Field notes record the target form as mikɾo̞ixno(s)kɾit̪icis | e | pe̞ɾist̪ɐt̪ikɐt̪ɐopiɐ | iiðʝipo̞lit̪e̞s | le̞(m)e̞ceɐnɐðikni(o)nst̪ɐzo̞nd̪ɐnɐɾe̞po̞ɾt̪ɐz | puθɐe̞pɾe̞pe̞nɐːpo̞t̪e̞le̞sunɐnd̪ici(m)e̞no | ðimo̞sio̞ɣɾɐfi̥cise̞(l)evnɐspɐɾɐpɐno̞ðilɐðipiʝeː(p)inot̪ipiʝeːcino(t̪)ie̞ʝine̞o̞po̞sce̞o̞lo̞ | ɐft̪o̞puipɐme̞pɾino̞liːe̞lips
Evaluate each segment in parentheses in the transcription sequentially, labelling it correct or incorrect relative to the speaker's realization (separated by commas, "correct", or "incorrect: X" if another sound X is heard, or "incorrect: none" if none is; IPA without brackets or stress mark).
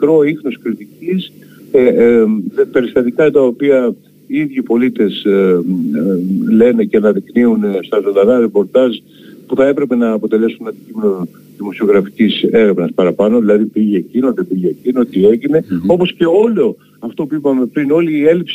correct, incorrect: n, incorrect: u, correct, incorrect: ɾ, incorrect: c, correct